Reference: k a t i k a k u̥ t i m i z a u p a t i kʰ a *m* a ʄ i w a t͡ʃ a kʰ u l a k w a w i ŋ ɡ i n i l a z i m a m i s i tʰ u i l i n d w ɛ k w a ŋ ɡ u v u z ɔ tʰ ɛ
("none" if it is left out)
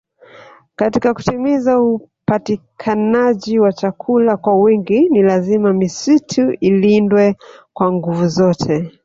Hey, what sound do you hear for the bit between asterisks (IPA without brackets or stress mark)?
n